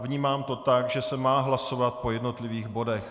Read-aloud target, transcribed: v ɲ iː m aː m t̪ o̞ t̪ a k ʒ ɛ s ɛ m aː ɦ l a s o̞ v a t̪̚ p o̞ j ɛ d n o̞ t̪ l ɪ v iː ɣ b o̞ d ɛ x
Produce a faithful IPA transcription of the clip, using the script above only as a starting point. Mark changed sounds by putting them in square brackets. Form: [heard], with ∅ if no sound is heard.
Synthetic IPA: v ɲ iː m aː m t̪ o̞ t̪ a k ʒ ɛ s ɛ m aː ɦ l a s o̞ v a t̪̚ p o̞ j ɛ d n o̞ t̪ l ɪ v iː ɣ b o̞ d ɛ x

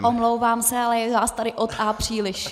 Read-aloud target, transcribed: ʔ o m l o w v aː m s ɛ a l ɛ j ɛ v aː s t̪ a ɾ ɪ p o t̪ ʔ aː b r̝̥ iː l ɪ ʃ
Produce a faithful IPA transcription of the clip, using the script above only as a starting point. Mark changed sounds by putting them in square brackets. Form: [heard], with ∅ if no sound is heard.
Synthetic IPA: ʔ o m l o w v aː m s ɛ a l ɛ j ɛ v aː s t̪ a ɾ ɪ [ʔ] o t̪ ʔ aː [p] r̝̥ iː l ɪ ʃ

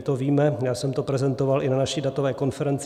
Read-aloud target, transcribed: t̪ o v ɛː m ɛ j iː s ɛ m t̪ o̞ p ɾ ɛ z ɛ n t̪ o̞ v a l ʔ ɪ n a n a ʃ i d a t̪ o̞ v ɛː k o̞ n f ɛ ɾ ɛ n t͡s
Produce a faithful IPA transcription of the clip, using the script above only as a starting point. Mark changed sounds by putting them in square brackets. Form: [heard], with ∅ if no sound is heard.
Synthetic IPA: t̪ o v [iː] m ɛ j [aː] s ɛ m t̪ o̞ p ɾ ɛ z ɛ n t̪ o̞ v a l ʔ ɪ n a n a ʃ i d a t̪ o̞ v ɛː k o̞ n f ɛ ɾ ɛ n t͡s

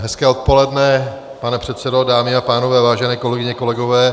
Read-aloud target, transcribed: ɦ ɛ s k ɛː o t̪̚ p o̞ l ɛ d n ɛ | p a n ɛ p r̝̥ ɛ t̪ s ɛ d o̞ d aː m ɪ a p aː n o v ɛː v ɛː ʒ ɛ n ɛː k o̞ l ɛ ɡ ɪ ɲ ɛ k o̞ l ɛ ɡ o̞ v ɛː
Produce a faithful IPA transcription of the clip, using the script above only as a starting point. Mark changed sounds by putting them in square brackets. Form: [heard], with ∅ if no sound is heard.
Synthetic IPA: ɦ ɛ s k ɛː o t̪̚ p o̞ l ɛ d n ɛ | p a n ɛ p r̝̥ ɛ t̪ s ɛ d o̞ d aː m ɪ a p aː n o v ɛː v [aː] ʒ ɛ n ɛː k o̞ l ɛ ɡ ɪ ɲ ɛ k o̞ l ɛ ɡ o̞ v ɛː

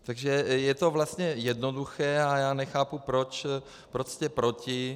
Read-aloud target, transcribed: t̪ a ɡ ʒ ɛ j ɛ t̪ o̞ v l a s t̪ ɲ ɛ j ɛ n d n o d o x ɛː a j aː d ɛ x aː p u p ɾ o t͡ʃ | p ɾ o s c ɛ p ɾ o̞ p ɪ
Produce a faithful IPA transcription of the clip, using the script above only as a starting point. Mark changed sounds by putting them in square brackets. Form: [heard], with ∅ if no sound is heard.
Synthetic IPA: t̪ a ɡ ʒ ɛ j ɛ t̪ o̞ v l a s t̪ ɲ ɛ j ɛ [∅] d n o d [u] x ɛː a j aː [n] ɛ x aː p u p ɾ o t͡ʃ | p ɾ o s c ɛ p ɾ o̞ [c] ɪ

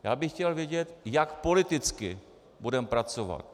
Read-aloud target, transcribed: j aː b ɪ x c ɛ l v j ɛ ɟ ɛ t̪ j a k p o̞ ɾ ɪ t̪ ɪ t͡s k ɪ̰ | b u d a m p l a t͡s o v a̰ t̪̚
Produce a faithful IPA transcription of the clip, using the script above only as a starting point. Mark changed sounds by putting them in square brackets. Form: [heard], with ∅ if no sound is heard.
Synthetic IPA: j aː b ɪ x c ɛ l v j ɛ ɟ ɛ t̪ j a k p o̞ [l] ɪ t̪ ɪ t͡s k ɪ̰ | b u d [ɛ] m p [ɾ] a t͡s o v a̰ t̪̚

